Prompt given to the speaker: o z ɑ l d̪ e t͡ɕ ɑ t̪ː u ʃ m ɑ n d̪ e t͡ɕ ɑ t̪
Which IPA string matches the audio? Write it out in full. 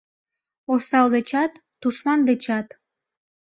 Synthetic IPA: o s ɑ l d̪ e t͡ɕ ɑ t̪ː u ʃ m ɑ n d̪ e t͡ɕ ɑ t̪